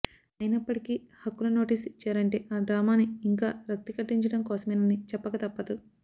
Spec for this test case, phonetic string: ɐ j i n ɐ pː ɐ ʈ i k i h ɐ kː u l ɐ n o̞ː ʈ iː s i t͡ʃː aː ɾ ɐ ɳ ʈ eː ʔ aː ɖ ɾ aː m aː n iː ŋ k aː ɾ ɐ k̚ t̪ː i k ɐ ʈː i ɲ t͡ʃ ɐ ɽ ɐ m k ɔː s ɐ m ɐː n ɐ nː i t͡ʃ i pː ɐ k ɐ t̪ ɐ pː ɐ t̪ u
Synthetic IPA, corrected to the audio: ɐ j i n ɐ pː ɐ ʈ i k i h ɐ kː u l ɐ n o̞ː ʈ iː s i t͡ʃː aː ɾ ɐ ɳ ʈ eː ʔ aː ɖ ɾ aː m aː n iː ŋ k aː ɾ ɐ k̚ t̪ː i k ɐ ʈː i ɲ t͡ʃ ɐ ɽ ɐ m k ɔː s ɐ m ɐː n ɐ n i t͡ʃ ɛ pː ɐ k ɐ t̪ ɐ pː ɐ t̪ u